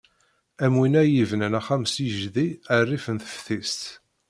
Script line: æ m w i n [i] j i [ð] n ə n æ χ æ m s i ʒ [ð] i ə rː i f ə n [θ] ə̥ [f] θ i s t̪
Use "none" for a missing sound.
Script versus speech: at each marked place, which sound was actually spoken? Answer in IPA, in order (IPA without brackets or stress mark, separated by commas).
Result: æ, v, ð, θ, f